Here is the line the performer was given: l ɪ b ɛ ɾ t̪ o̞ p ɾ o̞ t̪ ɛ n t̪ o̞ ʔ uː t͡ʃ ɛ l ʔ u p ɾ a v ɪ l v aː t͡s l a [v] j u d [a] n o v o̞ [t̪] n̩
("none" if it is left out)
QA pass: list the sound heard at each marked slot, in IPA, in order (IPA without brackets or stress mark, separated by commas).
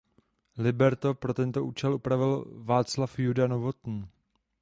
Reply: f, a, t̪